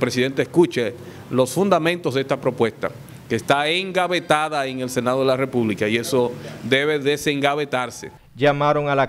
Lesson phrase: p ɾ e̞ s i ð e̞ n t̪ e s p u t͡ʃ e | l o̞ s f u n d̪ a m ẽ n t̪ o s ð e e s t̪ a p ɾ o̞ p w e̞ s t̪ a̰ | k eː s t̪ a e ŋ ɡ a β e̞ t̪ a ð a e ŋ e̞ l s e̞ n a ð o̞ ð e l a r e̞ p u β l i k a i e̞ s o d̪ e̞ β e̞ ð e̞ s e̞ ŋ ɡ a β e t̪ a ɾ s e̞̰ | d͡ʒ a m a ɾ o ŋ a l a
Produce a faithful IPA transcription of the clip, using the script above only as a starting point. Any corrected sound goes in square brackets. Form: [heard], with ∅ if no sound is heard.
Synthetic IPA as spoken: p ɾ e̞ s i ð e̞ n t̪ e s [k] u t͡ʃ e | l o̞ s f u n d̪ a m ẽ n t̪ o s ð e e s t̪ a p ɾ o̞ p w e̞ s t̪ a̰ | k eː s t̪ a e ŋ ɡ a β e̞ t̪ a ð a e ŋ e̞ l s e̞ n a ð o̞ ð e l a r e̞ p u β l i k a i e̞ s o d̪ e̞ β e̞ ð e̞ s e̞ ŋ ɡ a β e t̪ a ɾ s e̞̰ | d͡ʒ a m a ɾ o ŋ a l a